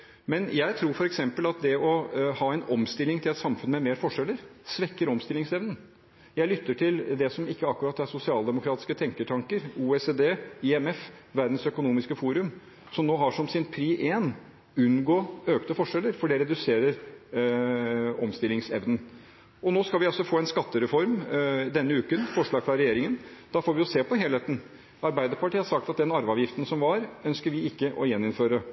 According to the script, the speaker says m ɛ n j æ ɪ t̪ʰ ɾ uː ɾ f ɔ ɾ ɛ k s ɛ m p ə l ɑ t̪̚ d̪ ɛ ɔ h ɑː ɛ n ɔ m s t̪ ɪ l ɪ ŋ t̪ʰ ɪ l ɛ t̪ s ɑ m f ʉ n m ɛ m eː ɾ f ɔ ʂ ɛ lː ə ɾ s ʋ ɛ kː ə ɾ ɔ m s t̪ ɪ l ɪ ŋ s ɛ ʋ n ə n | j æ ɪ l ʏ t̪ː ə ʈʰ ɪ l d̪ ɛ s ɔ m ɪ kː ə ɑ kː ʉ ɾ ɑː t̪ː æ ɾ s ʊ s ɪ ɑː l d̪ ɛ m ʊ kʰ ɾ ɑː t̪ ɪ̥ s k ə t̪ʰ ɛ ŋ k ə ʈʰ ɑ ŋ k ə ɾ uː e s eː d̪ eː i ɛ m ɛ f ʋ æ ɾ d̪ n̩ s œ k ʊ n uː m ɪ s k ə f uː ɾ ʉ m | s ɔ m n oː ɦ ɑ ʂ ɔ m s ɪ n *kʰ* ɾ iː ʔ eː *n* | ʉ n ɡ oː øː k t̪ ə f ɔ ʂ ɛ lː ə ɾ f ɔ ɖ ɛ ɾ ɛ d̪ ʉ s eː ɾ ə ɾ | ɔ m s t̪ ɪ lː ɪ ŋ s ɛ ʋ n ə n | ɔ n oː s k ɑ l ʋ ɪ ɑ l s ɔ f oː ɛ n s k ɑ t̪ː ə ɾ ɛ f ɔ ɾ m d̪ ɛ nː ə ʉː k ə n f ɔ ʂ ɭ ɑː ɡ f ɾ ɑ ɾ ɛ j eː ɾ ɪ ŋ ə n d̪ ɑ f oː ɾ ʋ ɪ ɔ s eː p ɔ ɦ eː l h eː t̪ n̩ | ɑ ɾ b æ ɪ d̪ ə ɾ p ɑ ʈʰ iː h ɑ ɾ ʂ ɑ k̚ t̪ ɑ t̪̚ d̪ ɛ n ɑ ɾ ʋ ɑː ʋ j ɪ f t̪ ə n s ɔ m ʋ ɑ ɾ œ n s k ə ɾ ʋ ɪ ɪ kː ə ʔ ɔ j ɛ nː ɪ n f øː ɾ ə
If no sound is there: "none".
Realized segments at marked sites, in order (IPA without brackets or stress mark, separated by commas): pʰ, n